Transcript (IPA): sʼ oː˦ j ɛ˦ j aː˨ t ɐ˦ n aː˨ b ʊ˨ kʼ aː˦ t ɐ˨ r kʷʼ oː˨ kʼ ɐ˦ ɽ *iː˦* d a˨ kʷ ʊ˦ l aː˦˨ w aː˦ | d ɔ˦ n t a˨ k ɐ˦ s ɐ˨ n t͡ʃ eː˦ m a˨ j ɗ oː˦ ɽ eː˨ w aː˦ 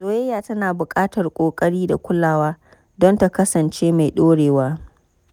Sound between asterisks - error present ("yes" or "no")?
no